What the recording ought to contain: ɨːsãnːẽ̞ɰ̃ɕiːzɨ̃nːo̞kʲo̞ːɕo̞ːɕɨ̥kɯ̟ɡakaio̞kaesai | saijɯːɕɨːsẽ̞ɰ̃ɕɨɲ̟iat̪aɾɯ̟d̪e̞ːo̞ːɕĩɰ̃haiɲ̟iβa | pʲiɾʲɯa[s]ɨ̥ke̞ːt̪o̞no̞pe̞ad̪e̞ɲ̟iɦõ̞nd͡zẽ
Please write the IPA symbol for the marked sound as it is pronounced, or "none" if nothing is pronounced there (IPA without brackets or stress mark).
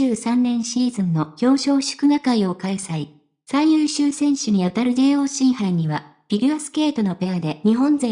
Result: s